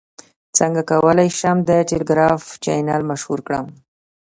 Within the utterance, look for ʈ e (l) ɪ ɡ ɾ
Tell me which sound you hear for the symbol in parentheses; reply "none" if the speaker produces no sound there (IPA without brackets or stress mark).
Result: l